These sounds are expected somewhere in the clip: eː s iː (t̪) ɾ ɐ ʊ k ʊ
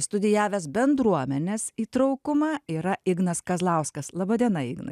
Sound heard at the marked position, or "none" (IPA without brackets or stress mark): t̪